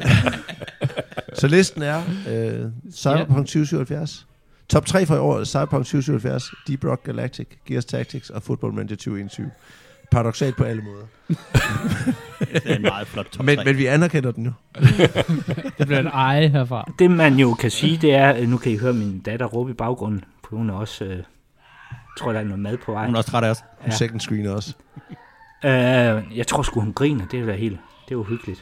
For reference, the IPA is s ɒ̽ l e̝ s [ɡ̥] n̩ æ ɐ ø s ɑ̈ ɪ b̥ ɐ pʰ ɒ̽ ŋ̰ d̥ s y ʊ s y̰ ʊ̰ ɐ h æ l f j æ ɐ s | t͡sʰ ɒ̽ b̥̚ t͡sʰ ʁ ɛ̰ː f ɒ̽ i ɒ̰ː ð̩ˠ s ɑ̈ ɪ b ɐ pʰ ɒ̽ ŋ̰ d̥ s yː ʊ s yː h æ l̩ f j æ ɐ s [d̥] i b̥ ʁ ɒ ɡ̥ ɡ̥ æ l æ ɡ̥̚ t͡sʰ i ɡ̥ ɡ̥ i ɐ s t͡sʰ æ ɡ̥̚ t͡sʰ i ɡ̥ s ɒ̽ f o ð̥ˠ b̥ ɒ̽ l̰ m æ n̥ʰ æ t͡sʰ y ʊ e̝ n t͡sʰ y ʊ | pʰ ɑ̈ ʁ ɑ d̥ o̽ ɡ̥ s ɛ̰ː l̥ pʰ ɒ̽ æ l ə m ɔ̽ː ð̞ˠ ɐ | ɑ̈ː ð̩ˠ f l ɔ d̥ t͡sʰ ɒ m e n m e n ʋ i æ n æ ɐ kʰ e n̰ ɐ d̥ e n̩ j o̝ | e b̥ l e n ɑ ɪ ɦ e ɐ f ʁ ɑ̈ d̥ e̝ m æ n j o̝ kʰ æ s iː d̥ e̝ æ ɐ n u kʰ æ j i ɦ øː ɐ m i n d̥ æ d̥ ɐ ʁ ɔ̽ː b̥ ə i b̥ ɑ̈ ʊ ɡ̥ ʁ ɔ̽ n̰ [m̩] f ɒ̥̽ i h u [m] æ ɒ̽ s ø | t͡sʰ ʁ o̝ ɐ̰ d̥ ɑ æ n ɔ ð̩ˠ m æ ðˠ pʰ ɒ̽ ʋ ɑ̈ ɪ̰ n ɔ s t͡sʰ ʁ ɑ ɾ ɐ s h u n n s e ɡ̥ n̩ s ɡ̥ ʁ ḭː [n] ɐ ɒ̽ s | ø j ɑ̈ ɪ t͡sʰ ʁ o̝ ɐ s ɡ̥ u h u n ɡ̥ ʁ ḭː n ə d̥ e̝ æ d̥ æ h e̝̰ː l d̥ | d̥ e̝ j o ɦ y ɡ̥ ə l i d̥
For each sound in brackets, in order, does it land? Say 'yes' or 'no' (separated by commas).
no, yes, no, no, yes